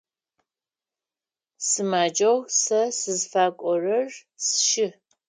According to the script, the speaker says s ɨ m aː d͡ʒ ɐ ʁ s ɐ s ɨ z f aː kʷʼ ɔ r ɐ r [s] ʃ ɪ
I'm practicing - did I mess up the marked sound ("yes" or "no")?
no